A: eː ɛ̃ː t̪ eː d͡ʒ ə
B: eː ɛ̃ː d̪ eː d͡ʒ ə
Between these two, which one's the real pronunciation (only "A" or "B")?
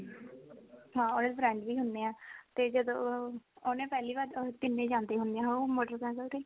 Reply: A